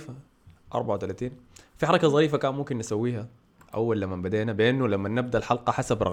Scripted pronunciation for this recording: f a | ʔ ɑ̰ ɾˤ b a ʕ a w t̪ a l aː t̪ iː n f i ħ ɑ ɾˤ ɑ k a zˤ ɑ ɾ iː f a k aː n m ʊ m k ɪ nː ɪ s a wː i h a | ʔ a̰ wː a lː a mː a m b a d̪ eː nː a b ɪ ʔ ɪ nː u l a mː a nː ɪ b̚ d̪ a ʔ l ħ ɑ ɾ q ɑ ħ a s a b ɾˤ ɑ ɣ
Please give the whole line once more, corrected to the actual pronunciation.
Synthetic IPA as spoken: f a | ʔ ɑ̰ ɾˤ b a ʕ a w t̪ a l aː t̪ iː n f i ħ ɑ ɾˤ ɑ k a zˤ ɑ ɾ iː f a k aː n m ʊ m k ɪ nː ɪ s a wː iː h a | ʔ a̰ wː a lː a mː a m b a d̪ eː n a b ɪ ʔ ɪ nː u l a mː a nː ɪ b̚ d̪ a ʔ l ħ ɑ l q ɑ ħ a s a b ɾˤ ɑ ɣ